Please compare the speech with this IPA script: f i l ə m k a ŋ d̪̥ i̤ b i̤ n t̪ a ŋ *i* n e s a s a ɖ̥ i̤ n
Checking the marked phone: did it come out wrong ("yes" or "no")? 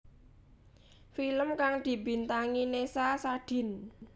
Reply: no